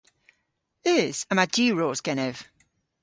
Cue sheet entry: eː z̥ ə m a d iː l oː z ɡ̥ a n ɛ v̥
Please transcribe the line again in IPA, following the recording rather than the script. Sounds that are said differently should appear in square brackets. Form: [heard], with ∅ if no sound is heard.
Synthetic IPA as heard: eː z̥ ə m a d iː [ɹ] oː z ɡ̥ [ɛ] n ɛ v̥